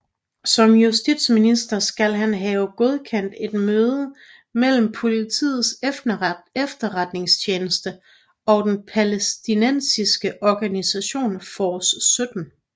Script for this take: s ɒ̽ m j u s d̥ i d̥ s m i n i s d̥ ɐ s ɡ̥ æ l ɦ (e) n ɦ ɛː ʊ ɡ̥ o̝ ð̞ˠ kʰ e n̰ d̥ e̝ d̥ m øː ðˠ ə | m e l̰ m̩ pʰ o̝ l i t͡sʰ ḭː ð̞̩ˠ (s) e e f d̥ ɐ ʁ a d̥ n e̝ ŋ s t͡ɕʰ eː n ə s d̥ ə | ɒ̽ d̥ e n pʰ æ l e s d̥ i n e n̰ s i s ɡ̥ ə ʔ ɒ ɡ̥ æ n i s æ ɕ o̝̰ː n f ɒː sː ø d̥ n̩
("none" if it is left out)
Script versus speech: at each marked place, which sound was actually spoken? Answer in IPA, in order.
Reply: æ, s

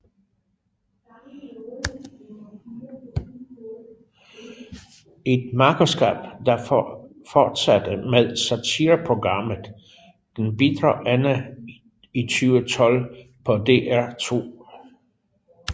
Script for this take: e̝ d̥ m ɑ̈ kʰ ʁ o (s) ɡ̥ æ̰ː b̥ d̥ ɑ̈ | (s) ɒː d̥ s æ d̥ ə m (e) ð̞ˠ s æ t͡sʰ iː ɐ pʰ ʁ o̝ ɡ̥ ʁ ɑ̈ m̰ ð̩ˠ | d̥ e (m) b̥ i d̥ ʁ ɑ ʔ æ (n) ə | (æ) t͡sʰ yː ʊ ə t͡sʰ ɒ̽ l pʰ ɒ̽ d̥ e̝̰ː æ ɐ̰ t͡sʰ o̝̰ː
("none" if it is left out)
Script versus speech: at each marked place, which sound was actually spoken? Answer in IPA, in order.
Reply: s, f, e, n, n, i

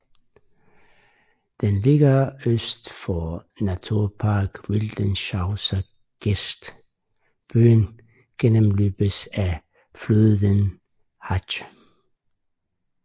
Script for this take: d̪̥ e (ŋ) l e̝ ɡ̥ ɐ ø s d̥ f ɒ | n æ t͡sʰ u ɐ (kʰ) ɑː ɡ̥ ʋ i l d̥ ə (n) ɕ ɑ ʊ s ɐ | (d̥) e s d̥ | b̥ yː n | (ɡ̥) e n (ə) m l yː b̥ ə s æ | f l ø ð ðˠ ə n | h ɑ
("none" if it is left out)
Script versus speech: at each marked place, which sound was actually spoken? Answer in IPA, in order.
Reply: n, pʰ, n, ɡ̥, ɡ̥, ə

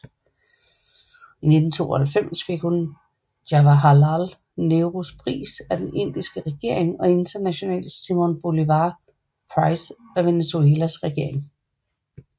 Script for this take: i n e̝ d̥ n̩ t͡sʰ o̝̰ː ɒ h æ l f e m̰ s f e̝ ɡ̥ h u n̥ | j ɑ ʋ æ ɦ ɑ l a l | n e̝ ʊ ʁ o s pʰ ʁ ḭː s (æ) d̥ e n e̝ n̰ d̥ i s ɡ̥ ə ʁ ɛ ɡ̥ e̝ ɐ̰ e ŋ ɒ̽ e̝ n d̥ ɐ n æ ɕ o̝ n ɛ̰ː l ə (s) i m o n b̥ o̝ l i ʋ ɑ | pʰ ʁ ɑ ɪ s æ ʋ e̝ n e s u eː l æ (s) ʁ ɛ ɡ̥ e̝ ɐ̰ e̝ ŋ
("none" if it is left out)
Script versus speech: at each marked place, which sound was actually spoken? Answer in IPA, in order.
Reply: æ, s, s

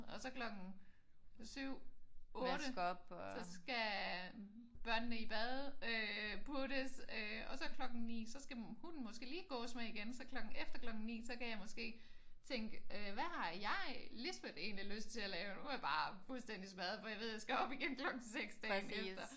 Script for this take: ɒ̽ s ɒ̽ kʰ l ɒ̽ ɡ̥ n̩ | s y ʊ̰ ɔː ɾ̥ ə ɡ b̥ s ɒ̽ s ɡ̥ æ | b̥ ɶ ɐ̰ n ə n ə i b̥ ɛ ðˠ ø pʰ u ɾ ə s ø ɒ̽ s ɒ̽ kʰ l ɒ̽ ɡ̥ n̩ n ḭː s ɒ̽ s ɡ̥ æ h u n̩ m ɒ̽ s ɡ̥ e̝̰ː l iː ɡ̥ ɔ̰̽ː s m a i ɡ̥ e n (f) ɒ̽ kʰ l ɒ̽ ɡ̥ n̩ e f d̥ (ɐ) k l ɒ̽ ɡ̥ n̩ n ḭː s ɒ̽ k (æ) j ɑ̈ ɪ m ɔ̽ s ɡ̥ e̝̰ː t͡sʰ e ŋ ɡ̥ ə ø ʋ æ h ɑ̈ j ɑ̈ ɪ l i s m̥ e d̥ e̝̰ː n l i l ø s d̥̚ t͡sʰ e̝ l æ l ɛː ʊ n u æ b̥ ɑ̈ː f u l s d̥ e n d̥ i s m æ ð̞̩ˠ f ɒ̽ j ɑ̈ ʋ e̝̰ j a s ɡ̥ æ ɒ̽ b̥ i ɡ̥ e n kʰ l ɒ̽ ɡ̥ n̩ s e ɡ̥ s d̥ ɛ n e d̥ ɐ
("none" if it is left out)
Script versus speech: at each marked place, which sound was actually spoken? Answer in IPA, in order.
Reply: s, ɐ, æ

